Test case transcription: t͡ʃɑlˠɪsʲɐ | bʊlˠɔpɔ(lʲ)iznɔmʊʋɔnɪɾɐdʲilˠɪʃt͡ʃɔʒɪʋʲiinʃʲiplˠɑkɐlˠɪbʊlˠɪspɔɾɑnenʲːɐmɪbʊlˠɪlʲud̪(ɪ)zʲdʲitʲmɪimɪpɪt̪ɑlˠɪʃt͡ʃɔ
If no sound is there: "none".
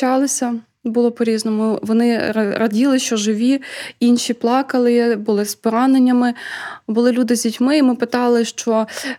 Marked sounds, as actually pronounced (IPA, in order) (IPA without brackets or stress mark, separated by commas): ɾʲ, ɪ